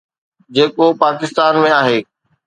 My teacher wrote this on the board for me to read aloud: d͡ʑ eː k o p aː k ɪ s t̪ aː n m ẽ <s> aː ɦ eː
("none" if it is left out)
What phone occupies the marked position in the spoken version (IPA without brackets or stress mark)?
none